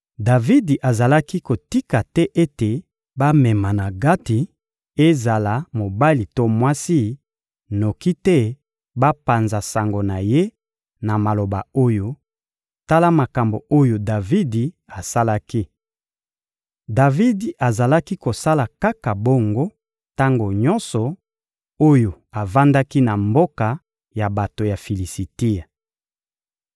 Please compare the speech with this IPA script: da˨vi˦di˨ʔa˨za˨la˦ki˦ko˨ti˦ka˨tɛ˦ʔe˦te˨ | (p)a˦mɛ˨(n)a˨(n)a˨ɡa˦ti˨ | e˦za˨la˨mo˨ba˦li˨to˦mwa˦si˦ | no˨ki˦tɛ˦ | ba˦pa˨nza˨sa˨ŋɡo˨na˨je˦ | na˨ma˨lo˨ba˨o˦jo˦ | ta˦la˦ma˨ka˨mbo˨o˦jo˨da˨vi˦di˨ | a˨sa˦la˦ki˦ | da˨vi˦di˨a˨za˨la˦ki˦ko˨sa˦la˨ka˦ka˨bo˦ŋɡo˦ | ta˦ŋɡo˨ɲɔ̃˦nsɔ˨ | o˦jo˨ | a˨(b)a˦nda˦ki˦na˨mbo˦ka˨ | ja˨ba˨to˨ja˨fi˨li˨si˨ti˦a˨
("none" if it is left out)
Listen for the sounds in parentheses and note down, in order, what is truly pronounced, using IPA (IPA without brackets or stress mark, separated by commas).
b, m, n, v